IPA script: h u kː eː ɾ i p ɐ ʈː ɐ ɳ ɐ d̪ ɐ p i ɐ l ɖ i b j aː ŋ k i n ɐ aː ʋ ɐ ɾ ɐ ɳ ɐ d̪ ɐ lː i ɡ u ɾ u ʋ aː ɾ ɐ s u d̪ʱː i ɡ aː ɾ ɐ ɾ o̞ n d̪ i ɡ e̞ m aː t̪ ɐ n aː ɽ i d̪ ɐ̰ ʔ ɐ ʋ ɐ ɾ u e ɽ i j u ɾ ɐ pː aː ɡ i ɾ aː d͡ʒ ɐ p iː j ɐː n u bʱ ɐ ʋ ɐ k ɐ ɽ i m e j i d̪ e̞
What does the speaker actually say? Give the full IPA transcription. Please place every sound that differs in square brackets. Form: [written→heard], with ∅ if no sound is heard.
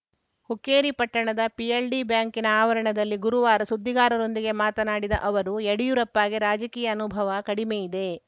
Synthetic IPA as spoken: h u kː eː ɾ i p ɐ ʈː ɐ ɳ ɐ d̪ ɐ p i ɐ l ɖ i b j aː ŋ k i n ɐ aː ʋ ɐ ɾ ɐ ɳ ɐ d̪ ɐ lː i ɡ u ɾ u ʋ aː ɾ ɐ s u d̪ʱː i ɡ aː ɾ ɐ ɾ o̞ n d̪ i ɡ e̞ m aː t̪ ɐ n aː ɽ i d̪ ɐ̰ ʔ ɐ ʋ ɐ ɾ u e ɽ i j u ɾ ɐ pː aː ɡ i ɾ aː d͡ʒ ɐ [p→k] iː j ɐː n u bʱ ɐ ʋ ɐ k ɐ ɽ i m e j i d̪ e̞